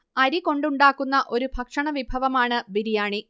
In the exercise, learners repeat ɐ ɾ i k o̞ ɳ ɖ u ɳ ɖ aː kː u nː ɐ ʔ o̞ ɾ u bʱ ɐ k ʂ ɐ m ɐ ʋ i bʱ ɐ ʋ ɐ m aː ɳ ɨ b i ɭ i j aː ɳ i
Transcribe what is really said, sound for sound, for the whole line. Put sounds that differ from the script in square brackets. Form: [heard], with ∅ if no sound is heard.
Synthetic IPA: ɐ ɾ i k o̞ ɳ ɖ u ɳ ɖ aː kː u nː ɐ ʔ o̞ ɾ u bʱ ɐ k ʂ ɐ [ɳ] ɐ ʋ i bʱ ɐ ʋ ɐ m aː ɳ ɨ b i [ɾ] i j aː ɳ i